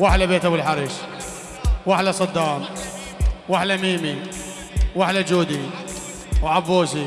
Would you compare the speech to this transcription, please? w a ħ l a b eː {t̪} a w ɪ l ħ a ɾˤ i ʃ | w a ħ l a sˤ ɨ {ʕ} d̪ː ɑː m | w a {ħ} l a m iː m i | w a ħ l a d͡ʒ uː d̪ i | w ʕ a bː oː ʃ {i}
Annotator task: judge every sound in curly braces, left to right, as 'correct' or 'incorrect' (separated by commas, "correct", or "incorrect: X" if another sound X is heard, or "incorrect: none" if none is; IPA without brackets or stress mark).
correct, incorrect: none, correct, correct